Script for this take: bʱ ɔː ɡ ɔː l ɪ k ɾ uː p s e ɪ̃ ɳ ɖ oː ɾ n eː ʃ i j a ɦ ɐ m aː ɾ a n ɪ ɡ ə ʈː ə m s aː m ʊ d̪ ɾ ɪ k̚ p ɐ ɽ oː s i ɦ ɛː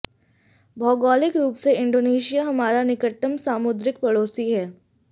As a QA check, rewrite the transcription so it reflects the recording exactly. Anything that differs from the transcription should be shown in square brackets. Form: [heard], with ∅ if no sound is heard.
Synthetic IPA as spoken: bʱ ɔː ɡ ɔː l ɪ k ɾ uː p s e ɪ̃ ɳ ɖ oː [∅] n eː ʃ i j a ɦ ɐ m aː ɾ a n ɪ [k] ə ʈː ə m s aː m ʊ d̪ ɾ ɪ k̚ p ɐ ɽ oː s i ɦ ɛː